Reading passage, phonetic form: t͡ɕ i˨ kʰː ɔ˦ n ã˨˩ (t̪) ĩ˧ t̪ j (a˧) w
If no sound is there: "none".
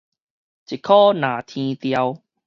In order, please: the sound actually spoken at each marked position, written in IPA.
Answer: t̪ʰ, a˧

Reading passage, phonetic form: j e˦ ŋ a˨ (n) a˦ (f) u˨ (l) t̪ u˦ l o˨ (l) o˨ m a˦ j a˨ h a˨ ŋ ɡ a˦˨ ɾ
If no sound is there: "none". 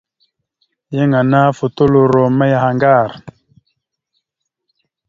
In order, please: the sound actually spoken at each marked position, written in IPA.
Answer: n, f, none, ɾ

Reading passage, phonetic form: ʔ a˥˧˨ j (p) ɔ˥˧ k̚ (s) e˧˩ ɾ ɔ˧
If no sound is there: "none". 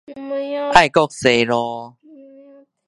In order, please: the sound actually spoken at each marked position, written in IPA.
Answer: k, s

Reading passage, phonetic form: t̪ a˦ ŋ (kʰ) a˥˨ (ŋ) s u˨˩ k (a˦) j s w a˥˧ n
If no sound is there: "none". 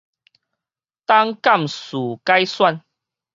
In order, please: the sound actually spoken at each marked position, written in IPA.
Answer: k, m, a˦

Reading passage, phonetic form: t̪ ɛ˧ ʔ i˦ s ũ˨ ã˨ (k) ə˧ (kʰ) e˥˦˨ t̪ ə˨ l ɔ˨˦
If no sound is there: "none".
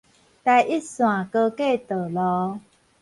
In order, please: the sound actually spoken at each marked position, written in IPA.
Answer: k, k

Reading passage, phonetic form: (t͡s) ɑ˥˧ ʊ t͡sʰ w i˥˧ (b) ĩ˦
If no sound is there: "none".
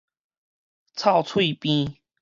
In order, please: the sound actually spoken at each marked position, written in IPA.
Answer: t͡sʰ, p

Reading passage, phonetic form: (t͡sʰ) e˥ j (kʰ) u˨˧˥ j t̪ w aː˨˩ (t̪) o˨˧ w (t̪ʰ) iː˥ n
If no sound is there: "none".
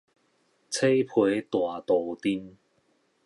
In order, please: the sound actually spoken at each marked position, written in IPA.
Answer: t͡sʰ, pʰ, t̪, t̪

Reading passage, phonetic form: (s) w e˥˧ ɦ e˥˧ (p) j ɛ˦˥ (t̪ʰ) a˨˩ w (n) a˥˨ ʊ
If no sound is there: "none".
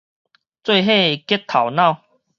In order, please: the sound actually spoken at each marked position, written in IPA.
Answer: t͡s, k, t̪ʰ, n

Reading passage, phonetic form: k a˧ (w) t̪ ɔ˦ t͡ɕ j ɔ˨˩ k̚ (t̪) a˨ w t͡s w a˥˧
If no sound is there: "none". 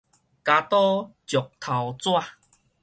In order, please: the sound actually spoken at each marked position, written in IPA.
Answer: none, t̪ʰ

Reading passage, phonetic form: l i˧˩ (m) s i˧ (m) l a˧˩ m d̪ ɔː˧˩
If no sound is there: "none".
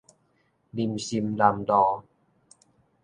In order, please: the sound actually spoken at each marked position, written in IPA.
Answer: m, m

